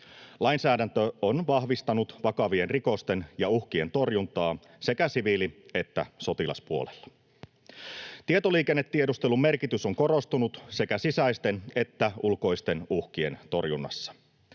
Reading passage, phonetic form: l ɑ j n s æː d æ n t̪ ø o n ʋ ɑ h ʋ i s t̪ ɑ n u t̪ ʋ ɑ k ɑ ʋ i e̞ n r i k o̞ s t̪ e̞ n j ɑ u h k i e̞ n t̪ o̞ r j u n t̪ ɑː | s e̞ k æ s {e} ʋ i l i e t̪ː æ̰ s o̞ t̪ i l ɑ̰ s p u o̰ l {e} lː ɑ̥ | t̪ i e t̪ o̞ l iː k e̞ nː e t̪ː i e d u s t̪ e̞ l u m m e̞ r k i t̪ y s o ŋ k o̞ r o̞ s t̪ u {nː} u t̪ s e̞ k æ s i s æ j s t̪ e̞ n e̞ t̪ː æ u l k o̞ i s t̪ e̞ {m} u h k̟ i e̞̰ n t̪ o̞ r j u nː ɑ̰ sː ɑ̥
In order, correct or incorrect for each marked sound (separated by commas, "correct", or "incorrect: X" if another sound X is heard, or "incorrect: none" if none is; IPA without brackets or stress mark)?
incorrect: i, correct, incorrect: n, incorrect: n